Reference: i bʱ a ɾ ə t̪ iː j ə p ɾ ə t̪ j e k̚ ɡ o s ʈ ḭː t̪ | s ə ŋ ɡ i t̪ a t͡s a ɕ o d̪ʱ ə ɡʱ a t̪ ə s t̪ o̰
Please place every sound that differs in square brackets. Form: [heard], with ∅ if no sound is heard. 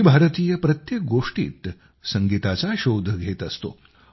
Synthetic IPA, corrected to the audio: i bʱ a ɾ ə t̪ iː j ə p ɾ ə t̪ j e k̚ ɡ o [ʂ] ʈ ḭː t̪ | s ə ŋ ɡ i t̪ a t͡s a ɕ o d̪ʱ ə ɡʱ [e] t̪ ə s t̪ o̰